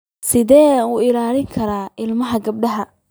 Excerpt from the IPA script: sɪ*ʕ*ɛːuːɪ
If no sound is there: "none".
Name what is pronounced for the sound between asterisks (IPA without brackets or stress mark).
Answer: ð